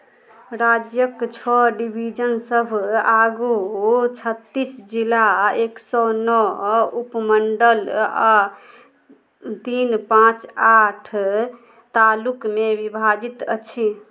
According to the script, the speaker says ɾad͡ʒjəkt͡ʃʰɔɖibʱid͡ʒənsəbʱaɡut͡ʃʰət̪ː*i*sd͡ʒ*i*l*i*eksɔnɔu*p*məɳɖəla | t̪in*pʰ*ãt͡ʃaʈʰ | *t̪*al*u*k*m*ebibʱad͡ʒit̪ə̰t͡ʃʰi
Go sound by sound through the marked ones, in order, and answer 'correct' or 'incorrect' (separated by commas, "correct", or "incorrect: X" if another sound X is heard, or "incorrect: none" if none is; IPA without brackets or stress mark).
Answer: correct, correct, incorrect: a, correct, incorrect: p, correct, correct, correct